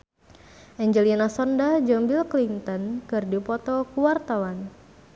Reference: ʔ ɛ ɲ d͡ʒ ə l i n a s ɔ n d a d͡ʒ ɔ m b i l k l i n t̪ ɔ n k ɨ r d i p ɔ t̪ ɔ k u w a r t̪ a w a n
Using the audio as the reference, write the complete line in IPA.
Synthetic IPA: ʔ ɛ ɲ d͡ʒ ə l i n a s ɔ n d a d͡ʒ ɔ m b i l k l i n t̪ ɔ n k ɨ r d i p ɔ t̪ ɔ k u w a r t̪ a w a n